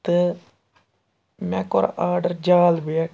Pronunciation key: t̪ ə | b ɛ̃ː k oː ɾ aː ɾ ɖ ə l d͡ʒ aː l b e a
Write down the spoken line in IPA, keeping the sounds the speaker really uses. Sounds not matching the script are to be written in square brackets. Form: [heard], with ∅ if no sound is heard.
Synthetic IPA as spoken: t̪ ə | [m] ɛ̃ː k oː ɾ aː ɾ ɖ ə [ɾ] d͡ʒ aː l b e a

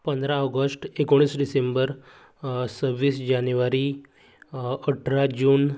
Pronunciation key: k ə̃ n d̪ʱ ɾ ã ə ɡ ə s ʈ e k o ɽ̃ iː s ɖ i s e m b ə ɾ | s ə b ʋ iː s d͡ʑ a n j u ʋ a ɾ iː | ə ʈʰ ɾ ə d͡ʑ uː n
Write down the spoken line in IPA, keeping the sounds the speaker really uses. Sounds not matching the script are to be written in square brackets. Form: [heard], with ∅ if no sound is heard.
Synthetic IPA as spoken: [p] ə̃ n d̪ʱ ɾ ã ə ɡ ə s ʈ e k o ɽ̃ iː s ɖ i s e m b ə ɾ | s ə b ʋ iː s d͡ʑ a n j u ʋ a ɾ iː | ə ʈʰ ɾ [a] d͡ʑ uː n

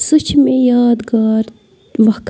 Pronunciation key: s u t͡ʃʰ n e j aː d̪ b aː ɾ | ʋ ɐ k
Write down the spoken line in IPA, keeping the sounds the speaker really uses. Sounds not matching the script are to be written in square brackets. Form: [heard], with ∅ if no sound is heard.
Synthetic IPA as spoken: s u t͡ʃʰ [m] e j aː d̪ [ɡ] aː ɾ | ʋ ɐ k

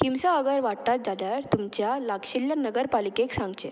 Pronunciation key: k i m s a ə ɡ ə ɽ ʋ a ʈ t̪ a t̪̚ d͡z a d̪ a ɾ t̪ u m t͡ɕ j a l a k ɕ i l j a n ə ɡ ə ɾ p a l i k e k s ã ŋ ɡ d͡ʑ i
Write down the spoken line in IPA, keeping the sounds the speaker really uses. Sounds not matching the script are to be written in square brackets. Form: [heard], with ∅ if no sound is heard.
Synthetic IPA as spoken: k i m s a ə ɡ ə [ɾ] ʋ a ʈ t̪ a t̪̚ d͡z a d̪ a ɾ t̪ u m t͡ɕ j a l a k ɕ i l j a n ə ɡ ə ɾ p a l i k e k s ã ŋ ɡ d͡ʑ [e]

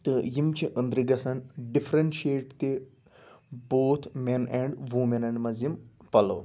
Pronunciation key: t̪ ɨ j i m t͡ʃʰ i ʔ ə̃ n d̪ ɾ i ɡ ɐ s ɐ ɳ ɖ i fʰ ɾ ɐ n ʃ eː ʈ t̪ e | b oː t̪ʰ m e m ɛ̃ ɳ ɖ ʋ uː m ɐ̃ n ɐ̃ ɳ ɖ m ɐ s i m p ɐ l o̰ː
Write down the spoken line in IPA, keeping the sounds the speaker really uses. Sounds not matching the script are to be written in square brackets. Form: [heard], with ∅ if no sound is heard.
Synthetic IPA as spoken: t̪ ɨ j i m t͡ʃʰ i ʔ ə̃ n d̪ ɾ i ɡ ɐ s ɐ [n] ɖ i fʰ ɾ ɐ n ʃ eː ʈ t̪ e | b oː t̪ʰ m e [n] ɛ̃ ɳ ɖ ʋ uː m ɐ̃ n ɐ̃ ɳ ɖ m ɐ [z] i m p ɐ l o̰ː

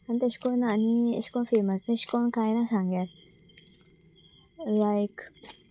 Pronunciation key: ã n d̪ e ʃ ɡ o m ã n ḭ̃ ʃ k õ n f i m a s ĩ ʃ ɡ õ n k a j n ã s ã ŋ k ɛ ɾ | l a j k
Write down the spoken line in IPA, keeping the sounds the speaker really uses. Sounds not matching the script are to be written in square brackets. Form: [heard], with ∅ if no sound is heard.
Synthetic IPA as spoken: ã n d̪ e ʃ [k] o [n] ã n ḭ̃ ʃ k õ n f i m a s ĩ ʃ [k] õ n k a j n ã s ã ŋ [ɡ] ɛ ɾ | l a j k

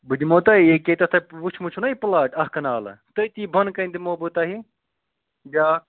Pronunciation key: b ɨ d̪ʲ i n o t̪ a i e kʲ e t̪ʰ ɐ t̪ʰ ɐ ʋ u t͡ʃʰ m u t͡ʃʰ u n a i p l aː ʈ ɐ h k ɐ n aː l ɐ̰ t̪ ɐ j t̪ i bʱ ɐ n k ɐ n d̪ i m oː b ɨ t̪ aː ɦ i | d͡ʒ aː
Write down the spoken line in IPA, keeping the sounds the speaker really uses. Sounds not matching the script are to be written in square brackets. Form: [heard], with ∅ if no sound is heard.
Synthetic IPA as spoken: b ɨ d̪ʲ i [m] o t̪ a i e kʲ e [t̪] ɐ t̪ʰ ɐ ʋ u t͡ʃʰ m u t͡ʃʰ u n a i p l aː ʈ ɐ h k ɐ n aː l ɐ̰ t̪ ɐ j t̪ i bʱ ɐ n k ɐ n d̪ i m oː b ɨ t̪ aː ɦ i | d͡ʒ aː

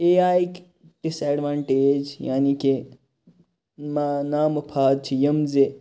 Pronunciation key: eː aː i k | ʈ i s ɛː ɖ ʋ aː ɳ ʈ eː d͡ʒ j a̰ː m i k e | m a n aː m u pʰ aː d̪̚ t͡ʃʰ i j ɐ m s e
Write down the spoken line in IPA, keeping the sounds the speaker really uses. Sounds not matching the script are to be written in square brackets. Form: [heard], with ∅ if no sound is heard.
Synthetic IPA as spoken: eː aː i k | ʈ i s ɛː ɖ ʋ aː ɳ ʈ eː d͡ʒ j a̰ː [n] i k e | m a n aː m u pʰ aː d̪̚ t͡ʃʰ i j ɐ m [z] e

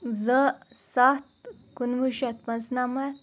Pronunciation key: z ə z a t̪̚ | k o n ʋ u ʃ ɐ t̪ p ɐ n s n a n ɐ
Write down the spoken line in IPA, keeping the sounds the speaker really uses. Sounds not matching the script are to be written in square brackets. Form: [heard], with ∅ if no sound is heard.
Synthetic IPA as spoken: z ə [s] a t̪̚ | k [u] n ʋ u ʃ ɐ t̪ p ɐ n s n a [m] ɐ

